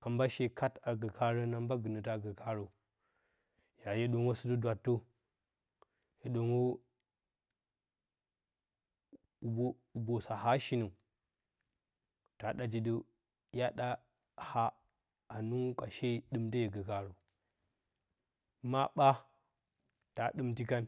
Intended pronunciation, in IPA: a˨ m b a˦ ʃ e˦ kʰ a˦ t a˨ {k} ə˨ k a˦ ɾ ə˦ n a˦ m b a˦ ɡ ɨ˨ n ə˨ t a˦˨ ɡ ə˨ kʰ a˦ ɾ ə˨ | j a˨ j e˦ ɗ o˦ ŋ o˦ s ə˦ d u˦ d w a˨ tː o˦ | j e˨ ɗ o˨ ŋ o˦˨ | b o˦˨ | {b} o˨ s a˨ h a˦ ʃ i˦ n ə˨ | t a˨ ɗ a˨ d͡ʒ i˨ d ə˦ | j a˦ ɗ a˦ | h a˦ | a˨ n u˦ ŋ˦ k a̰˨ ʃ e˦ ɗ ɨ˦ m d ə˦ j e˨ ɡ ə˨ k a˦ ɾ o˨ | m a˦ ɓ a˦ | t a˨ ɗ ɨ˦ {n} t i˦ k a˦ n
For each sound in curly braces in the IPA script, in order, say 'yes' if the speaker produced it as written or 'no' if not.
no, yes, no

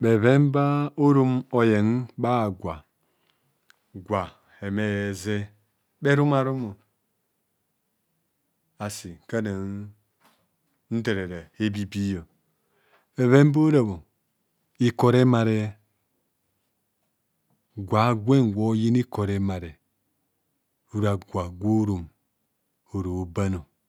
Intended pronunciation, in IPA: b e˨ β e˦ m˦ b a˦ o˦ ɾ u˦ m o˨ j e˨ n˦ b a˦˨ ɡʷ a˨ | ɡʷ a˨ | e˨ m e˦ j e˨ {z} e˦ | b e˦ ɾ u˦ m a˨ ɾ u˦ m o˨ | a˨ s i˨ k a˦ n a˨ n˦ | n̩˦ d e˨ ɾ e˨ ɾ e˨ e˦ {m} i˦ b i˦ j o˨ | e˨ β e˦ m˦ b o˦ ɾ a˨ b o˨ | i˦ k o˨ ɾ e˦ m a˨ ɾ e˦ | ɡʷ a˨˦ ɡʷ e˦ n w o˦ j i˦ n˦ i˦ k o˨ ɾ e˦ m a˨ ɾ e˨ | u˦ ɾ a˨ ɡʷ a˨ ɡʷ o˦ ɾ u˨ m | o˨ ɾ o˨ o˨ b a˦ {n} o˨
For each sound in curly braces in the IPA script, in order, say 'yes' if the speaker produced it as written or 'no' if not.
yes, no, yes

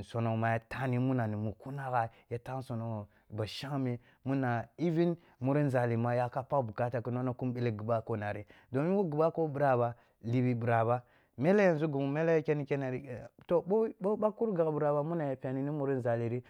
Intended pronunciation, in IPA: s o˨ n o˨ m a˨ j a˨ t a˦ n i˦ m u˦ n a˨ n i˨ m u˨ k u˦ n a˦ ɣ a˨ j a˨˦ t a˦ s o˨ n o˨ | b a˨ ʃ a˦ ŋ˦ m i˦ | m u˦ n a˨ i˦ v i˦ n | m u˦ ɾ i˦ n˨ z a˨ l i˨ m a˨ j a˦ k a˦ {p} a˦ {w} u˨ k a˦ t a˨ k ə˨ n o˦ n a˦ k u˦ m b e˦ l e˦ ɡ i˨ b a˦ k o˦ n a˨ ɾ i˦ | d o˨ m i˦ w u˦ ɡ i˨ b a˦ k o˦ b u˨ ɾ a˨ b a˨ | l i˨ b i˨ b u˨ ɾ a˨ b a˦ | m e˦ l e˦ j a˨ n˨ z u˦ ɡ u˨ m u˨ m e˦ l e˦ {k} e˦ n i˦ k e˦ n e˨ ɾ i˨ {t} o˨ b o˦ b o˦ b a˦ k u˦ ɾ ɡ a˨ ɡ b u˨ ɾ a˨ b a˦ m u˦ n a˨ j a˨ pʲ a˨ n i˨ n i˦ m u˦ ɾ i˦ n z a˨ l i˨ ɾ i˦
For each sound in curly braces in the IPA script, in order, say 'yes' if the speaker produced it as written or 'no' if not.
yes, no, yes, yes

